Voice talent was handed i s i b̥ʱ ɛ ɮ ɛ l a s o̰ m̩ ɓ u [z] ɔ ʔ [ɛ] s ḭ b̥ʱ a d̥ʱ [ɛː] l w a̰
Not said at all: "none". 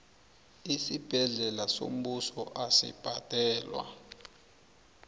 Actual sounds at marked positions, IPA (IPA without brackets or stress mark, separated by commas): s, a, ɛː